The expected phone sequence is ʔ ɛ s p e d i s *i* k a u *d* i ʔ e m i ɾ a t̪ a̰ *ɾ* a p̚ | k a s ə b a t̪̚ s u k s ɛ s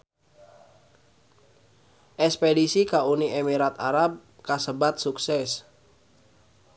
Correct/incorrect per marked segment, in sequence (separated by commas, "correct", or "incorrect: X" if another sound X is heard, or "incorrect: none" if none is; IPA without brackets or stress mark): correct, incorrect: n, correct